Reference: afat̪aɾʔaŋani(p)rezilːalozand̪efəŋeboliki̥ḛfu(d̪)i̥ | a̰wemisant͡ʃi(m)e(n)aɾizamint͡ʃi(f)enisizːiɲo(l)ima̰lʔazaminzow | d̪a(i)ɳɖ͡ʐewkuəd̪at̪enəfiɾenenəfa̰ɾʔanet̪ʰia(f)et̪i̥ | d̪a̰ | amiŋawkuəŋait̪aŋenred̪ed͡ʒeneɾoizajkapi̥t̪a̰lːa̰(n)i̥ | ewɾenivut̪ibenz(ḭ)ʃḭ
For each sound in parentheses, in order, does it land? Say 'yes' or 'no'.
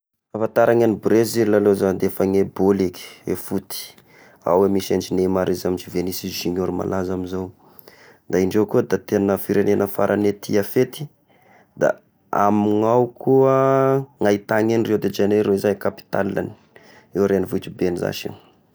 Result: no, no, no, no, no, no, yes, yes, yes, no

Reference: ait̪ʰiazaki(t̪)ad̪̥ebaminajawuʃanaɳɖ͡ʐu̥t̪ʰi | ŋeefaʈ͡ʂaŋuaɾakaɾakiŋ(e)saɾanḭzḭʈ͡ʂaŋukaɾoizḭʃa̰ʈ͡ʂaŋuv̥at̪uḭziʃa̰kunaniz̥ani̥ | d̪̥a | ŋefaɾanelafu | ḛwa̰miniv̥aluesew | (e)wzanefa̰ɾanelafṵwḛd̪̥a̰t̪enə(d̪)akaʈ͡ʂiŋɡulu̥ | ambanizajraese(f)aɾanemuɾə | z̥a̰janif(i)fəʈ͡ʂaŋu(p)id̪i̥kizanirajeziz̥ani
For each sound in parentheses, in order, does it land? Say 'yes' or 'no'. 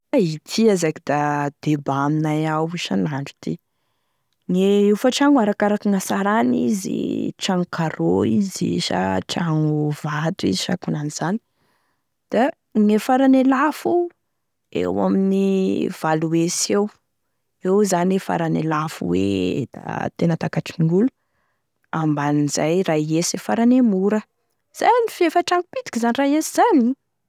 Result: no, no, yes, no, yes, no, yes

